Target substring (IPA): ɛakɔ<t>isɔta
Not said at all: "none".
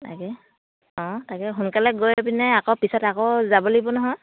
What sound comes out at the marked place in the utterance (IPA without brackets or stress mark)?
p